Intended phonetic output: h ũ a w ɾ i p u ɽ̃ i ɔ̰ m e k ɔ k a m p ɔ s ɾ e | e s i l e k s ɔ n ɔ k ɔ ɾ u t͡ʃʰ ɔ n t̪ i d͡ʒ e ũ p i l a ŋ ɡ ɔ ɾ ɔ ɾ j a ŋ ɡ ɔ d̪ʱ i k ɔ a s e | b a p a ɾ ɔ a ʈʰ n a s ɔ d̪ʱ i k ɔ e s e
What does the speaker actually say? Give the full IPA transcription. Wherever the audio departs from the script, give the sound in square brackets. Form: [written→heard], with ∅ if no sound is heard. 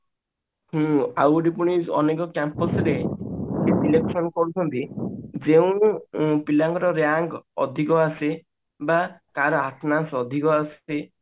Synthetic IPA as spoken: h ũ a w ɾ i p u ɽ̃ i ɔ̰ [m→n] e k ɔ k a m p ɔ s ɾ e | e s i l e k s ɔ n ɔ k ɔ ɾ u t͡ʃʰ ɔ n t̪ i d͡ʒ e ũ p i l a ŋ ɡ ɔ ɾ ɔ ɾ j a ŋ ɡ ɔ d̪ʱ i k ɔ a s e | b a [p→k] a ɾ ɔ a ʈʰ n a s ɔ d̪ʱ i k ɔ [e→a] s e

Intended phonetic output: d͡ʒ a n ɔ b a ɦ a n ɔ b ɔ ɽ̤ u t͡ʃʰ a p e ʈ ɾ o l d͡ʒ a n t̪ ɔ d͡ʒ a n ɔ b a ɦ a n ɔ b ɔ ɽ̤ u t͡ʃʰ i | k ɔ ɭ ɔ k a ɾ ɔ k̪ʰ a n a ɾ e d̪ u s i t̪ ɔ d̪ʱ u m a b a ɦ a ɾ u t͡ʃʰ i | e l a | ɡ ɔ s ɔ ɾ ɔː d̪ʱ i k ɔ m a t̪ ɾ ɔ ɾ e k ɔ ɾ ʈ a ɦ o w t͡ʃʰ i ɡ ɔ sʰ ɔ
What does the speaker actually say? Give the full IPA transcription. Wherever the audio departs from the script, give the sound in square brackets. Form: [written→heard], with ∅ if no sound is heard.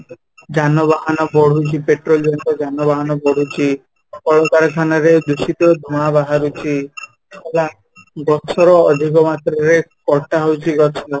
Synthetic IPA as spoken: d͡ʒ a n ɔ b a ɦ a n ɔ b ɔ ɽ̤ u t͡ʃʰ [a→i] p e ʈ ɾ o l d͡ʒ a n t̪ ɔ d͡ʒ a n ɔ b a ɦ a n ɔ b ɔ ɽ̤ u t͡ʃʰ i | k ɔ ɭ ɔ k a ɾ ɔ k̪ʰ a n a ɾ e d̪ u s i t̪ ɔ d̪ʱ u m a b a ɦ a ɾ u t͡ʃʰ i | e l a | ɡ ɔ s ɔ ɾ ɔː d̪ʱ i k ɔ m a t̪ ɾ ɔ ɾ e k ɔ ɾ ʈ a ɦ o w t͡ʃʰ i ɡ ɔ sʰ ɔ

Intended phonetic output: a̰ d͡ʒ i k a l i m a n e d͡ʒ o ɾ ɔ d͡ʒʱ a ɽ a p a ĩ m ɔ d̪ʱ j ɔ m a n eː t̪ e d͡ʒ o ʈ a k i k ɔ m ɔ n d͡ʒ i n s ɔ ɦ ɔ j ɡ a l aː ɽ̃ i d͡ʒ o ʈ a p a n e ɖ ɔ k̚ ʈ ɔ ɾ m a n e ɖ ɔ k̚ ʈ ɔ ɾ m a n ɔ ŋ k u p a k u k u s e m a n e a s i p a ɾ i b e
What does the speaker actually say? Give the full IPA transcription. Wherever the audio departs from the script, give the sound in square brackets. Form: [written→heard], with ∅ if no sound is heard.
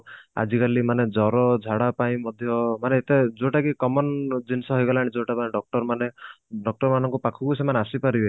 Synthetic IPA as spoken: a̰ d͡ʒ i k a l i m a n e d͡ʒ [o→ɔ] ɾ ɔ d͡ʒʱ a ɽ a p a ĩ m ɔ d̪ʱ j ɔ m a n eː t̪ e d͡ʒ o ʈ a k i k ɔ m ɔ n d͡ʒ i n s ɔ ɦ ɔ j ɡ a l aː ɽ̃ i d͡ʒ o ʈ a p a n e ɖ ɔ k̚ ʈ ɔ ɾ m a n e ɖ ɔ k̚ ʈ ɔ ɾ m a n ɔ ŋ k u p a [k→kʰ] u k u s e m a n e a s i p a ɾ i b e

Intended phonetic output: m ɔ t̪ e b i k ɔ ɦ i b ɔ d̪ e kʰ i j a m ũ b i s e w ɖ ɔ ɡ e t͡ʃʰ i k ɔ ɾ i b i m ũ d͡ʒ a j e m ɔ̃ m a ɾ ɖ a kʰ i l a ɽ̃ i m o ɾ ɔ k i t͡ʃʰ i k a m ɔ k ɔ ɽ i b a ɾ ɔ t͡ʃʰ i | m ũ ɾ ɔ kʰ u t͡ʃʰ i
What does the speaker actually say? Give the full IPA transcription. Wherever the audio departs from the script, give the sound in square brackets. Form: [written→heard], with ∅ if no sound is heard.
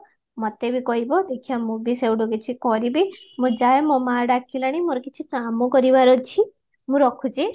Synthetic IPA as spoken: m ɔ t̪ e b i k ɔ ɦ i b ɔ d̪ e kʰ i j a m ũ b i s e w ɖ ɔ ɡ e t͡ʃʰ i k ɔ ɾ i b i m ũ d͡ʒ a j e m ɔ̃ m a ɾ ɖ a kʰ i l a ɽ̃ i m o ɾ ɔ k i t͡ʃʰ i k a m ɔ k ɔ [ɽ→ɾ] i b a ɾ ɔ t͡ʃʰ i | m ũ ɾ ɔ kʰ u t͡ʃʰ i

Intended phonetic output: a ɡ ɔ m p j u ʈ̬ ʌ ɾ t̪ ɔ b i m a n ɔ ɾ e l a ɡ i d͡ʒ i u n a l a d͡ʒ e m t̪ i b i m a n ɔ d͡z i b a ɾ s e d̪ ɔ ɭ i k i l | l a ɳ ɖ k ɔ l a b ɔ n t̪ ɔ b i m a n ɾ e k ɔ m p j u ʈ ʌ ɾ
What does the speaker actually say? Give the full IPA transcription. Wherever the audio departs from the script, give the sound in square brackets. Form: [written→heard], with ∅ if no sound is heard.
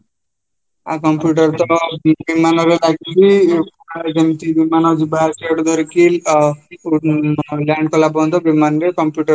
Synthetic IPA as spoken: a [ɡ→k] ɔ m p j u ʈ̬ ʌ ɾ t̪ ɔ b i m a n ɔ ɾ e l a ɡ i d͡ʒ i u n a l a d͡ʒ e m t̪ i b i m a n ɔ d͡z i b a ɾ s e d̪ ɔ [ɭ→ɾ] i k i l | l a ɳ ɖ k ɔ l a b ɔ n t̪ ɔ b i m a n ɾ e k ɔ m p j u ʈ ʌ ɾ

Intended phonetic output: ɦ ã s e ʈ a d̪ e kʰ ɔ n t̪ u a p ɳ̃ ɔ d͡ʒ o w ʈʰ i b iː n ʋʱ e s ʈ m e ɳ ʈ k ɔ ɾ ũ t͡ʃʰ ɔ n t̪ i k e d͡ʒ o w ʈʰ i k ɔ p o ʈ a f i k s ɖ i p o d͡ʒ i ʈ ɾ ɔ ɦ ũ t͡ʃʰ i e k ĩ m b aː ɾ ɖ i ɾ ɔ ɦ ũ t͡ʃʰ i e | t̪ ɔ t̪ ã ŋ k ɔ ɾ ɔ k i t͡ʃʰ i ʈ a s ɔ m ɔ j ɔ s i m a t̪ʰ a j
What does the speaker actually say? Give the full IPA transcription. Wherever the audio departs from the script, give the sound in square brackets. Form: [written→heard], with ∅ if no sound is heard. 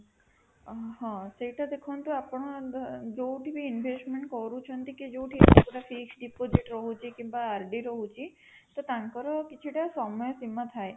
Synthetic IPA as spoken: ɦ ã s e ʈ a d̪ e kʰ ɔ n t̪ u a p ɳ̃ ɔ d͡ʒ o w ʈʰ i b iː n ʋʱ e s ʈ m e ɳ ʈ k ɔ ɾ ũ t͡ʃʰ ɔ n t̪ i k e d͡ʒ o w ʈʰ i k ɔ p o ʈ a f i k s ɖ i p o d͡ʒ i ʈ ɾ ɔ ɦ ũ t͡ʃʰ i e k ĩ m b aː ɾ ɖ i ɾ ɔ ɦ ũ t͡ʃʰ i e | t̪ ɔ t̪ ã ŋ k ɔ ɾ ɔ k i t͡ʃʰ i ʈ a s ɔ m ɔ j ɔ s i m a t̪ʰ a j

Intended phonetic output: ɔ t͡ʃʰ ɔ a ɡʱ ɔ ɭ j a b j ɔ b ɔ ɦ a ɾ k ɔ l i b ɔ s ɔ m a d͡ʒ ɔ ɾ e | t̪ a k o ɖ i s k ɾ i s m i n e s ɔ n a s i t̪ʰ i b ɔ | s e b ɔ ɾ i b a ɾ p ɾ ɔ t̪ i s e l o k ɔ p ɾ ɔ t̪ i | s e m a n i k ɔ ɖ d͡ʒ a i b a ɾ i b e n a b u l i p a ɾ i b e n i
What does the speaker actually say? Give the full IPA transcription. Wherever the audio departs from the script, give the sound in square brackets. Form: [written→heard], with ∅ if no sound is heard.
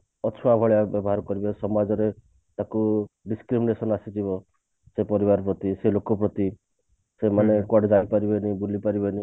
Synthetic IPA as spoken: ɔ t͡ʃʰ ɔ a [ɡʱ→bʱ] ɔ ɭ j a b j ɔ b ɔ ɦ a ɾ k ɔ [l→ɾ] i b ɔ s ɔ m a d͡ʒ ɔ ɾ e | t̪ a k [o→u] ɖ i s k ɾ i [s→∅] m i n e s ɔ n a s i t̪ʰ i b ɔ | s e [b→p] ɔ ɾ i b a ɾ p ɾ ɔ t̪ i s e l o k ɔ p ɾ ɔ t̪ i | s e m a n [i→e] k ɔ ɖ d͡ʒ a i [b→p] a ɾ i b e n [a→i] b u l i p a ɾ i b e n i

